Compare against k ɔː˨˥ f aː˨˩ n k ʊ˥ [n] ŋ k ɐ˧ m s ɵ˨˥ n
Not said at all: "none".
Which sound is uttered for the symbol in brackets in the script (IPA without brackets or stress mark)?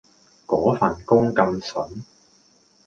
none